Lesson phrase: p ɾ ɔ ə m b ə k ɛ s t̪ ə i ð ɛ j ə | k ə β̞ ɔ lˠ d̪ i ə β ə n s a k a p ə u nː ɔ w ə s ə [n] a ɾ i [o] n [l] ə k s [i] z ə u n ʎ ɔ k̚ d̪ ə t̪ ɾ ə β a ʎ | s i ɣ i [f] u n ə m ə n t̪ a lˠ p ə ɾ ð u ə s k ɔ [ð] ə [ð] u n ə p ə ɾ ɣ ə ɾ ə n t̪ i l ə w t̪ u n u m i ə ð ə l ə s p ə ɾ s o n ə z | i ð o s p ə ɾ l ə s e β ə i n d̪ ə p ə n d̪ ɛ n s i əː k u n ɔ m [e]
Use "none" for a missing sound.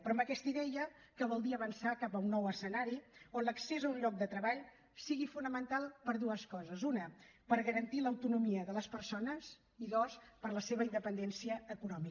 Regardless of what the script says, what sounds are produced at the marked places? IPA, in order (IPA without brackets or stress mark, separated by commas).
n, o, l, e, f, z, z, i